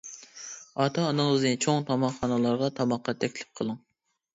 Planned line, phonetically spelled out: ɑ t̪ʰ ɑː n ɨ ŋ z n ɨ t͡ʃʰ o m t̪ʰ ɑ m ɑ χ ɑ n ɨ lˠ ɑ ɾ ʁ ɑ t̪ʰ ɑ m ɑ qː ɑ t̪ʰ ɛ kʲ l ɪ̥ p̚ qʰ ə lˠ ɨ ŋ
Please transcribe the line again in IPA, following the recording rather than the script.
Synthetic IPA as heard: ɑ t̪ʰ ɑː n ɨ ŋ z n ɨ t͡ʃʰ o ŋ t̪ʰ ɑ m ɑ χ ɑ n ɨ lˠ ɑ ɾ ʁ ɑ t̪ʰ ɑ m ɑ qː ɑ t̪ʰ ɛ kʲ l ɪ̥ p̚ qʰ ə lˠ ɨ ŋ